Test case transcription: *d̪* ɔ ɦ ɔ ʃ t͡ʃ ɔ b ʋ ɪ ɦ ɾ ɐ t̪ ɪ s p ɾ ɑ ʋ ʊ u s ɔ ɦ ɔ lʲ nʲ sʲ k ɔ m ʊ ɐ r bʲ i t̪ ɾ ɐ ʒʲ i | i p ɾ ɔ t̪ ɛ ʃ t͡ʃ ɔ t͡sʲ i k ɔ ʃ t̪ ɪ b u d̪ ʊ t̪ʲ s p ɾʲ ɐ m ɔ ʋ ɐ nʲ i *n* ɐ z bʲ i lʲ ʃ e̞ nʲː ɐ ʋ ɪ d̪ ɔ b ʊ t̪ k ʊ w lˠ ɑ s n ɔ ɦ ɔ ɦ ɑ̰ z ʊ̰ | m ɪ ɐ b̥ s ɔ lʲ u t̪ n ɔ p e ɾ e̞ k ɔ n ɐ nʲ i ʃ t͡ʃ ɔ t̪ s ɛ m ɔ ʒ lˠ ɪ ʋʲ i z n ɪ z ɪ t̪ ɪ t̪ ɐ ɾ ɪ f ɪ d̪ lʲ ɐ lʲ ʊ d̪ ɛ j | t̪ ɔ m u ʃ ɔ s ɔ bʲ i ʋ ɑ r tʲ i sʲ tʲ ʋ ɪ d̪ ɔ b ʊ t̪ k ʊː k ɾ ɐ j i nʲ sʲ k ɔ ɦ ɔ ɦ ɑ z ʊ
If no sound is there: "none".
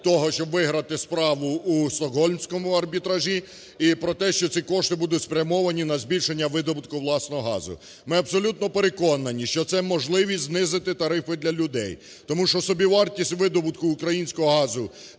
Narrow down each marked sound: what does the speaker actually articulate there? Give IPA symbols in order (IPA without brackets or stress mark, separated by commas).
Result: t̪, n